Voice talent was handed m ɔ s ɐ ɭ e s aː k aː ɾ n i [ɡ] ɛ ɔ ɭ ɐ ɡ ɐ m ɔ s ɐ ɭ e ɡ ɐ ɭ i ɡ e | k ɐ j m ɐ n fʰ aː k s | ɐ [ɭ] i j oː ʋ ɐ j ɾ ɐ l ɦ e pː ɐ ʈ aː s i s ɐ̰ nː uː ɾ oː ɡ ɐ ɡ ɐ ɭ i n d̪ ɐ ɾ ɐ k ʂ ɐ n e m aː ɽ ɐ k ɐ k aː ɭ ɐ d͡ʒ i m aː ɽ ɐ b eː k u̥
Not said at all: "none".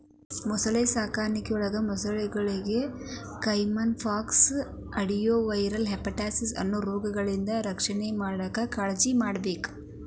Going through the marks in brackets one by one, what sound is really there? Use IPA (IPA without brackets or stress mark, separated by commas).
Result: k, ɽ